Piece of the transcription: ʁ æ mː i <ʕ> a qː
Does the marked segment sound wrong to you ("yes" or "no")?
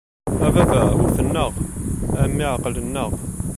no